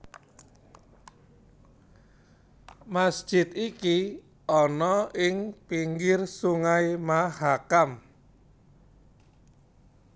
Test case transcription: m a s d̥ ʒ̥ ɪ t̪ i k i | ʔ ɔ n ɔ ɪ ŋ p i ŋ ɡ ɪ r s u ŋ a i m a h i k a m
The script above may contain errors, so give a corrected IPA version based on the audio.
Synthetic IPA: m a s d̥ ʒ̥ ɪ t̪ i k i | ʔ ɔ n ɔ ɪ ŋ p i ŋ ɡ ɪ r s u ŋ a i m a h a k a m